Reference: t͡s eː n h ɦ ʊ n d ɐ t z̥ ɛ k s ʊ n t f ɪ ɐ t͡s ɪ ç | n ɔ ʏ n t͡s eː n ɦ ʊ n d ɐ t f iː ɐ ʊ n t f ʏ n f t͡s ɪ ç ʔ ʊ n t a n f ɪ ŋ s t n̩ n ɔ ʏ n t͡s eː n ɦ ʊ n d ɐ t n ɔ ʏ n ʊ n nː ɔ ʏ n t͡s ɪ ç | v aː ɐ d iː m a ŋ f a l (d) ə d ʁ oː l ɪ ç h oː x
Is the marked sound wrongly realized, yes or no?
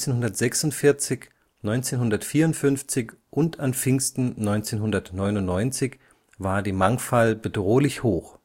yes